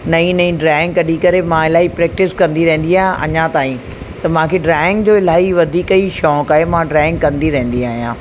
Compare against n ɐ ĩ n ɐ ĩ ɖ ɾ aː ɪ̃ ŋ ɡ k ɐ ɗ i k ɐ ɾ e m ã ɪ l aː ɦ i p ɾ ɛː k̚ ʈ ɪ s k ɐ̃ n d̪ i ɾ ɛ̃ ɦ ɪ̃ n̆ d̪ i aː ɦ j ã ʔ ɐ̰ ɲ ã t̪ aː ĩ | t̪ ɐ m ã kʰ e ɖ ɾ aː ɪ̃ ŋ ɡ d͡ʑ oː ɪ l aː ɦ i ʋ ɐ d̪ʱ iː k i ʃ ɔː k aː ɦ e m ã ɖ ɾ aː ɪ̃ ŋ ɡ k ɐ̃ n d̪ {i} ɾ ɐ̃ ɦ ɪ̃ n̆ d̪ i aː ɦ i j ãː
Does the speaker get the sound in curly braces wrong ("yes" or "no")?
no